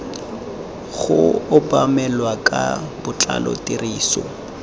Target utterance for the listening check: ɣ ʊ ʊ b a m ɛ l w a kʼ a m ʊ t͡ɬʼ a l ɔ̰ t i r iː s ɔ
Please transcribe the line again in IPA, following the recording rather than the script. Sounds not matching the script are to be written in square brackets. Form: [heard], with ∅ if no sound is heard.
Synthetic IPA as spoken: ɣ ʊ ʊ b a m ɛ l w a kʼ a [b] ʊ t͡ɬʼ a l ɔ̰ t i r iː s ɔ